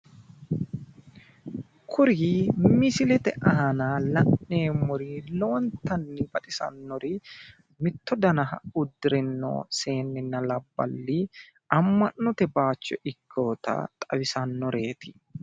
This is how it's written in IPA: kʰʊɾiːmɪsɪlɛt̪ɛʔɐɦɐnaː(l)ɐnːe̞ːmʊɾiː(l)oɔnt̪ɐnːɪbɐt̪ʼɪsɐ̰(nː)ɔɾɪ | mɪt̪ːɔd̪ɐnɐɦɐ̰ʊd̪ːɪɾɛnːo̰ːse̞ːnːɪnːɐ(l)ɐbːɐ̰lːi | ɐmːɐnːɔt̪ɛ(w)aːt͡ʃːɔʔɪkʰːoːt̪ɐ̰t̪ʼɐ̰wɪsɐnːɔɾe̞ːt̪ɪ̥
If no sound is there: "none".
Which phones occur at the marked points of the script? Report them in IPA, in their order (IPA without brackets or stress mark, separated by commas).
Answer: l, l, nː, l, b